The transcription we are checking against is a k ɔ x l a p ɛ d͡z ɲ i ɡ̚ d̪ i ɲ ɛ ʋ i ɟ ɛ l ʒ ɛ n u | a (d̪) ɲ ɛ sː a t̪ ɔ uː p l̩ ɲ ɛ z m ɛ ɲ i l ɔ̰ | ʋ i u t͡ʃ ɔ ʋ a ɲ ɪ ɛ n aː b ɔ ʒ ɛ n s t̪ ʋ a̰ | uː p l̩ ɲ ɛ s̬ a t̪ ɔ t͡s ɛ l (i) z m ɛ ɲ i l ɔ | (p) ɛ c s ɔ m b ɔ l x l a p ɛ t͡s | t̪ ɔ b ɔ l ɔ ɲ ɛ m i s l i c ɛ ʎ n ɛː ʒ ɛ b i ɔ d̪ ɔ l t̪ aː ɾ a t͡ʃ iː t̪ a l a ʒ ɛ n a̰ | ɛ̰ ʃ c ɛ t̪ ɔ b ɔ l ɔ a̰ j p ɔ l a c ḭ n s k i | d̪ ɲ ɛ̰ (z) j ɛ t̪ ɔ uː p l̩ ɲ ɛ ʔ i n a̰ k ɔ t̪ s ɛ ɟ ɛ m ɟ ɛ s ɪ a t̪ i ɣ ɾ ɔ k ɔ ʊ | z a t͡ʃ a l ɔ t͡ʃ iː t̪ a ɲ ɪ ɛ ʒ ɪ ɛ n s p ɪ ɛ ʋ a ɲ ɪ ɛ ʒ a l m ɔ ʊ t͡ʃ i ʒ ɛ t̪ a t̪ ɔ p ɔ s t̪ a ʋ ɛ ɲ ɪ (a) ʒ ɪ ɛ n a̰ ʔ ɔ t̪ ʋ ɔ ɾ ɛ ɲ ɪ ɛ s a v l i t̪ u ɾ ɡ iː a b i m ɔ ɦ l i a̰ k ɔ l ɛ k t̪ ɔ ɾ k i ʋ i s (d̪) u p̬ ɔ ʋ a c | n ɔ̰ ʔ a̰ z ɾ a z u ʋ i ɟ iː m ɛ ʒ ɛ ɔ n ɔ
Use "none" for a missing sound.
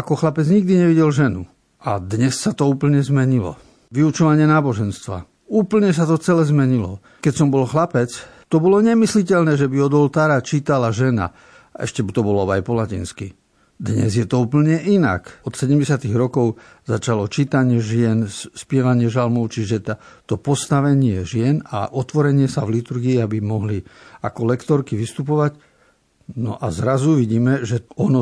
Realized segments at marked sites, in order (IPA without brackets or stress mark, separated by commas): d̪, ɛ, k, z, ɛ, t̪